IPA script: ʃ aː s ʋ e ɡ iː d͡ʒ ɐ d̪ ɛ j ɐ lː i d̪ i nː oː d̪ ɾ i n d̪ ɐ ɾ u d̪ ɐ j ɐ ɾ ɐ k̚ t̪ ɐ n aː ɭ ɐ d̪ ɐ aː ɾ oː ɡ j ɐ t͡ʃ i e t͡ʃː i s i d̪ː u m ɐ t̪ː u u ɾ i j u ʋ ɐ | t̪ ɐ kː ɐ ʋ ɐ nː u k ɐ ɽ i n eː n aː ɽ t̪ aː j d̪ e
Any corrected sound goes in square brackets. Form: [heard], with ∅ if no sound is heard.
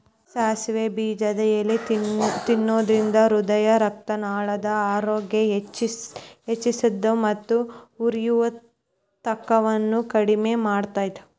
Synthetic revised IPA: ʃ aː s ʋ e [b] iː d͡ʒ ɐ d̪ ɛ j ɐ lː i [t̪] i nː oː d̪ ɾ i n d̪ ɐ ɾ u d̪ ɐ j ɐ ɾ ɐ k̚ t̪ ɐ n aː ɭ ɐ d̪ ɐ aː ɾ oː ɡ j ɐ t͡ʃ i e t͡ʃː i s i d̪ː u m ɐ t̪ː u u ɾ i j u ʋ ɐ | t̪ ɐ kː ɐ ʋ ɐ nː u k ɐ ɽ i [m] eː [m] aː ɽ t̪ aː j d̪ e